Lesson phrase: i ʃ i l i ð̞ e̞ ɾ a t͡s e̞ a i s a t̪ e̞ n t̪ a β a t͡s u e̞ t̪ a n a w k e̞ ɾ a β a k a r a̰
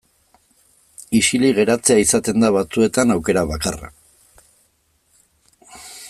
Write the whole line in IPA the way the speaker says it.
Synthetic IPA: i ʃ i l i ɣ̞ e̞ ɾ a t͡s e̞ a i s a t̪ e̞ n d̪ a β a t͡s u e̞ t̪ a n a w k e̞ ɾ a β a k a r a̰